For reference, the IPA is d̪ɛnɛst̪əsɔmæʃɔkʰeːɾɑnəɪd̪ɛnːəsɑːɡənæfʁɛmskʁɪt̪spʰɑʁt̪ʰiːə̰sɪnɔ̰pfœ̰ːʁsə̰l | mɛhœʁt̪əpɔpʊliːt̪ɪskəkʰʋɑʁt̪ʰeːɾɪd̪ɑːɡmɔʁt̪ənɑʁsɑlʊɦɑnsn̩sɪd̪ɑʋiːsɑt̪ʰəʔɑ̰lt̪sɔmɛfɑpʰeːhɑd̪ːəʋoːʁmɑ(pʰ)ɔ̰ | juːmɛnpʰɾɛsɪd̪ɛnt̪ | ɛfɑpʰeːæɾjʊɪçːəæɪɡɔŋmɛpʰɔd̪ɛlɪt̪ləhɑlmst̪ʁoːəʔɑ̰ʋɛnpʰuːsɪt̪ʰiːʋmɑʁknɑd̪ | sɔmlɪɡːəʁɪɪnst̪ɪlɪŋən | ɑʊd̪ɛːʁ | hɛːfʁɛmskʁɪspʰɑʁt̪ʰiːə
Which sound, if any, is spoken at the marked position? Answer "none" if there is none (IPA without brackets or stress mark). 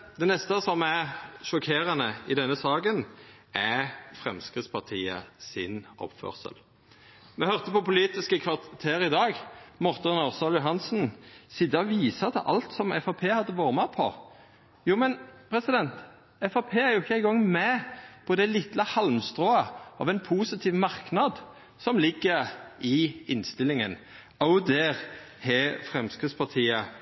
pʰ